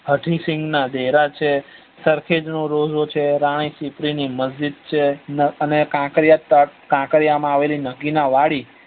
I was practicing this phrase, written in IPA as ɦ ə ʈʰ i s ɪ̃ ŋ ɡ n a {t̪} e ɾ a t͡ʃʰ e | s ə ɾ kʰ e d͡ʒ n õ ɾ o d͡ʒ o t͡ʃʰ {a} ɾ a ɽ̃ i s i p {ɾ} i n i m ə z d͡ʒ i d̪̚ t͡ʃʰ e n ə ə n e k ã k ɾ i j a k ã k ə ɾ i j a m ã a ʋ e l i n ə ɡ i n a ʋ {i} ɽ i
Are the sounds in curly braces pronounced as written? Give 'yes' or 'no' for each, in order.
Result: no, no, yes, no

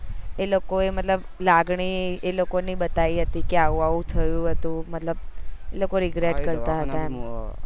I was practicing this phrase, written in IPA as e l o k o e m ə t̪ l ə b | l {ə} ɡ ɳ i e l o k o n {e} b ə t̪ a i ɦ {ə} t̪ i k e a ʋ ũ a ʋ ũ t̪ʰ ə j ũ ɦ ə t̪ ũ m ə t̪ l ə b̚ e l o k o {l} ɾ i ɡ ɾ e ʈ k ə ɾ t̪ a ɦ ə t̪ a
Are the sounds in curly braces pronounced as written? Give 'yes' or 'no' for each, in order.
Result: no, no, yes, no

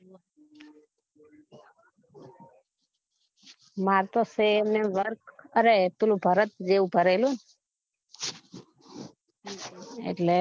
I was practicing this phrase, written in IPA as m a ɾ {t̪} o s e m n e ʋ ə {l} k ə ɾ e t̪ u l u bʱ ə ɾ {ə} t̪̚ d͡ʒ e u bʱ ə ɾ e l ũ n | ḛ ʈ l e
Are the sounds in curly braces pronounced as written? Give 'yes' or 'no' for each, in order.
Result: yes, no, yes

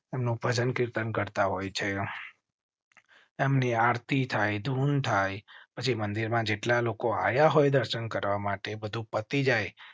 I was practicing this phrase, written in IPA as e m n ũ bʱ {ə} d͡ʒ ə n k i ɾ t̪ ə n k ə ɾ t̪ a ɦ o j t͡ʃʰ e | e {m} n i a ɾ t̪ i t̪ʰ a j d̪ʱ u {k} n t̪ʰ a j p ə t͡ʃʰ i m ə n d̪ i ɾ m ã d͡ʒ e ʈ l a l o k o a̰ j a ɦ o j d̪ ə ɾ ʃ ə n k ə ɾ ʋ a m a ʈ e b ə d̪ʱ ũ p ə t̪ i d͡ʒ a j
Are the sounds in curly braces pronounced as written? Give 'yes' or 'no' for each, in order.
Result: yes, yes, no

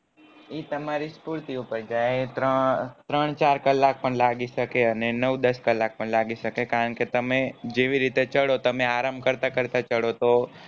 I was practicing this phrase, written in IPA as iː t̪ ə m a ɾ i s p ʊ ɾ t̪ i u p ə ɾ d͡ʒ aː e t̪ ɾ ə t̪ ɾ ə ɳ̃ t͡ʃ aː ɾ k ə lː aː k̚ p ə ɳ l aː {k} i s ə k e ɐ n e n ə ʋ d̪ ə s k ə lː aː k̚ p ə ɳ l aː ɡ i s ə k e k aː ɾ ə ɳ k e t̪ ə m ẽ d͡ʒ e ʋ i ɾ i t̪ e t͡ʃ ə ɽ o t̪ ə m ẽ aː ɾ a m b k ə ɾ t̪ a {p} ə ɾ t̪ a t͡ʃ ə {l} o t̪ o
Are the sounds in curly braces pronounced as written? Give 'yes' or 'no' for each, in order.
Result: no, no, no

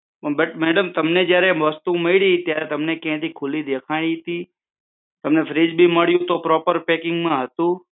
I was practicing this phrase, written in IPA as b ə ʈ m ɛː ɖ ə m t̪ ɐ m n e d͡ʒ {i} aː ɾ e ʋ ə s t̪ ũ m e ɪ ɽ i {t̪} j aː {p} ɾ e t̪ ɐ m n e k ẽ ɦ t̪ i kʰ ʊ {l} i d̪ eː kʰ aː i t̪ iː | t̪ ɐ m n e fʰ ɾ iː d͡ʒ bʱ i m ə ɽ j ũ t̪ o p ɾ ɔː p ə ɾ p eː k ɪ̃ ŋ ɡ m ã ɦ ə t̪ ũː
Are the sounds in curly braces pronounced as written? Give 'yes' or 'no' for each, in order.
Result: no, yes, no, yes

